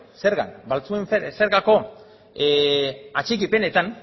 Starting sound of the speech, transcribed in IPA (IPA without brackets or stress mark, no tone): s